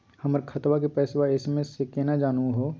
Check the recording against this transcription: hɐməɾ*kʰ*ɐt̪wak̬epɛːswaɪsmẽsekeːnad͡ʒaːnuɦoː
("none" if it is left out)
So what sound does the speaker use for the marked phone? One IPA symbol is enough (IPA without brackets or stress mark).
kʰ